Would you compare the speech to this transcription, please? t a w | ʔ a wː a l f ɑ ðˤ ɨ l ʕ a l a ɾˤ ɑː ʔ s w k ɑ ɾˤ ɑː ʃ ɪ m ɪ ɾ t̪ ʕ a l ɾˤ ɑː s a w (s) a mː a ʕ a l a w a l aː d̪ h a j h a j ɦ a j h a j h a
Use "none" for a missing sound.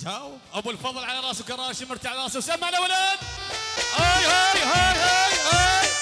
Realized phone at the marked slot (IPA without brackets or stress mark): s